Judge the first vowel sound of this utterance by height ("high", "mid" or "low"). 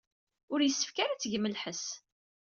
high